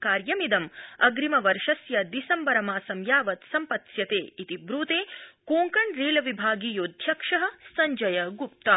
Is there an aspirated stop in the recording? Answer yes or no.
no